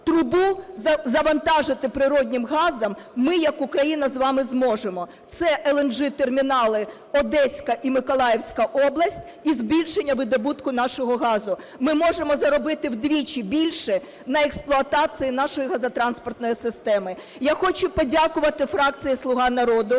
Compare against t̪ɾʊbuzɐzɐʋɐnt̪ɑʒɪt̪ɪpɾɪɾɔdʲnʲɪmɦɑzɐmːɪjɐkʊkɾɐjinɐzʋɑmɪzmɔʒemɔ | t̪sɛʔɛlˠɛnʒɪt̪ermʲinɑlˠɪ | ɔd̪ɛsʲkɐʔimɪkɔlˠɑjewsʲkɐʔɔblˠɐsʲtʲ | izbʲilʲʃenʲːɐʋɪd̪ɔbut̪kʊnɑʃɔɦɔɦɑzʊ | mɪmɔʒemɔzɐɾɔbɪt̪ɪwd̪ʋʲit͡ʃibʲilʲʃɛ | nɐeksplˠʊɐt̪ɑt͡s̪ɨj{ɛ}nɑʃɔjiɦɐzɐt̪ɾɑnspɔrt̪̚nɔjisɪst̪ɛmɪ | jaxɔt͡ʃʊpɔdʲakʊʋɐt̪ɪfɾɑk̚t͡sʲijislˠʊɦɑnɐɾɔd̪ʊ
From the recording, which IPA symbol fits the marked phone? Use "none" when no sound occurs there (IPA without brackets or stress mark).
i